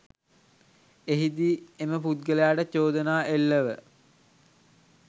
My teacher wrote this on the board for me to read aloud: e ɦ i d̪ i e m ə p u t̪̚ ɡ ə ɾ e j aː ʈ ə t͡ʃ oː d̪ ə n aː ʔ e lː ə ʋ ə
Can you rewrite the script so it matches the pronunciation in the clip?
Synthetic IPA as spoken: e ɦ i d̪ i e m ə p u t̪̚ ɡ ə l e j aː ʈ ə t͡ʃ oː d̪ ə n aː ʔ e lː ə ʋ ə